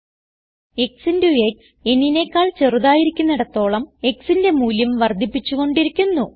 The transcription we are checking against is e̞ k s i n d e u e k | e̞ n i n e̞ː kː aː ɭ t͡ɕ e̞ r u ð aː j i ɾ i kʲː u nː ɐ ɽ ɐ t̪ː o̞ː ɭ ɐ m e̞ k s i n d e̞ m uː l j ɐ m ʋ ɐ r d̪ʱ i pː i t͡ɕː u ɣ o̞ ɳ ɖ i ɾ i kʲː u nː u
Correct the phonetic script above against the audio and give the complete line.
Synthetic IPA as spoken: e̞ k s i n d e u e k | e̞ n i n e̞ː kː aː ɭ t͡ɕ e̞ r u ð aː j i ɾ i kʲː u nː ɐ ɽ ɐ t̪ː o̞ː ɭ ɐ m e̞ k s i n d e̞ m uː l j ɐ m ʋ ɐ r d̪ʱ i pː i t͡ɕː u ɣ o̞ ɳ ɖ i ɾ i kʲː u nː u